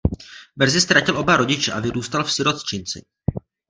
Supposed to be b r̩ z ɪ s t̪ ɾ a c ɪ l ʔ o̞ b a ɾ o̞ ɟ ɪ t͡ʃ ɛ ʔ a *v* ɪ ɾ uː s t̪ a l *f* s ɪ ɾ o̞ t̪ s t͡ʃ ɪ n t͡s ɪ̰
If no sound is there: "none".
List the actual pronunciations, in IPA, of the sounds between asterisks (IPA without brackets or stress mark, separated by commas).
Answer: v, f